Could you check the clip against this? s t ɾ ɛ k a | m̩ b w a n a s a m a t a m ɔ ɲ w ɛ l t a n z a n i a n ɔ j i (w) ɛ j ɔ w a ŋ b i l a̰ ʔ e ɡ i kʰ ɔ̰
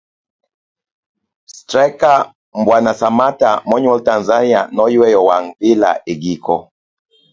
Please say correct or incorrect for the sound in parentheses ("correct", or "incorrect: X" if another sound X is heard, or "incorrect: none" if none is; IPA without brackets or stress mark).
correct